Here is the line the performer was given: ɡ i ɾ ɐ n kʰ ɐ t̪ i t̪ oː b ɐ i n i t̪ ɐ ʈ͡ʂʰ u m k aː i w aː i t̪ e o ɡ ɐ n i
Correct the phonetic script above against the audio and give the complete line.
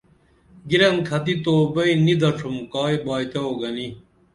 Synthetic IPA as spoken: ɡ i ɾ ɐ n kʰ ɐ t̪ i t̪ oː b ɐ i n i d̪ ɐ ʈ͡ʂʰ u m k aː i b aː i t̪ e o ɡ ɐ n i